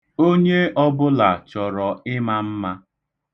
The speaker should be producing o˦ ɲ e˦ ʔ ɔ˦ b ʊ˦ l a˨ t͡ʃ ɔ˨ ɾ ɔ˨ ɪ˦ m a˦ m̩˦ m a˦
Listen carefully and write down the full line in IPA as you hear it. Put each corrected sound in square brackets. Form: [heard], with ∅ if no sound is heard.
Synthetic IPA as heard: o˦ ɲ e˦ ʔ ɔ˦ b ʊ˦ l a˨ t͡ʃ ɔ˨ ɾ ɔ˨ ɪ˦ m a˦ m̩˦ m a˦